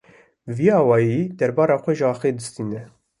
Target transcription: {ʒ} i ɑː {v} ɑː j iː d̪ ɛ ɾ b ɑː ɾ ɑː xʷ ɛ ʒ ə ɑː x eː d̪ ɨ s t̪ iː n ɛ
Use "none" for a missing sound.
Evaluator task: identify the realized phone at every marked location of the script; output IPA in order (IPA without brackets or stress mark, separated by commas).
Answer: v, w